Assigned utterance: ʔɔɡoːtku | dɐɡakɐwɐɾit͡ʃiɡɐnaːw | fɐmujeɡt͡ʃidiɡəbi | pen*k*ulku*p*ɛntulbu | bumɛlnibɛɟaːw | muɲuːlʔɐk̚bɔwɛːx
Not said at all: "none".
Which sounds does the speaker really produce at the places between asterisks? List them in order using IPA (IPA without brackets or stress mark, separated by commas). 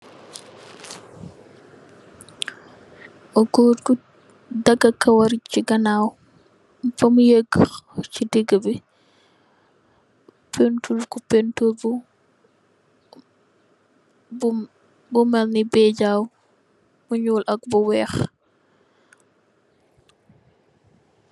t, p